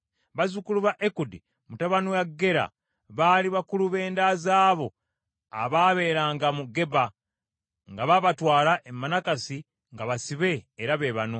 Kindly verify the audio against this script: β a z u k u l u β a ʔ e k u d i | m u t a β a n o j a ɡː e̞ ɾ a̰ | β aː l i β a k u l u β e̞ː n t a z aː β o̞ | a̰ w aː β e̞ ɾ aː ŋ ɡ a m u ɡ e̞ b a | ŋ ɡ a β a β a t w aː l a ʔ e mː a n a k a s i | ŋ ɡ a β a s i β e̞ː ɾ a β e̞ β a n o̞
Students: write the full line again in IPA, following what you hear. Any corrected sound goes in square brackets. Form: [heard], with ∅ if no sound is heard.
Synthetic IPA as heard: β a z u k u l u β a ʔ e k u d i | m u t a β a n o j a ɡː e̞ ɾ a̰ | β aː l i β a k u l u β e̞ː n [d] a z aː β o̞ | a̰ [β] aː β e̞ ɾ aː ŋ ɡ a m u ɡ e̞ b a | ŋ ɡ a β a β a t w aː l a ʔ e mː a n a k a s i | ŋ ɡ a β a s i β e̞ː ɾ a β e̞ β a n o̞